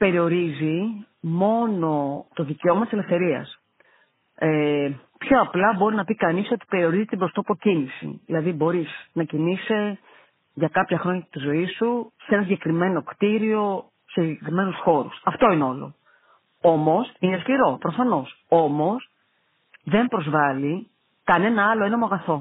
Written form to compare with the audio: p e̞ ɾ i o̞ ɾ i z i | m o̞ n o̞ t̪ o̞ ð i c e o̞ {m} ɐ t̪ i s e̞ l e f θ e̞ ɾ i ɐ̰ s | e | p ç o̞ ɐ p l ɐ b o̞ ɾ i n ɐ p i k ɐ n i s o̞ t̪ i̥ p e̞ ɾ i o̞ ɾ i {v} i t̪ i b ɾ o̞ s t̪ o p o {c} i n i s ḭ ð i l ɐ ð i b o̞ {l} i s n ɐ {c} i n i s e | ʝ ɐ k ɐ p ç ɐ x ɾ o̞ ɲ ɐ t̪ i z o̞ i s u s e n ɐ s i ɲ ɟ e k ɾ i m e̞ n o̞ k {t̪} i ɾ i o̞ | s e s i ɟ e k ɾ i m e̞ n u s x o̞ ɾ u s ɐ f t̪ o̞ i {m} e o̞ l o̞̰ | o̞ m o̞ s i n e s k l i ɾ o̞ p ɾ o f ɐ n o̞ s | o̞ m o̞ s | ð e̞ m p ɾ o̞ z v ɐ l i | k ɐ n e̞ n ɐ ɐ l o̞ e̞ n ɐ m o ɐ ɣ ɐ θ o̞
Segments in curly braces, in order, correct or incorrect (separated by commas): correct, incorrect, correct, incorrect, correct, correct, incorrect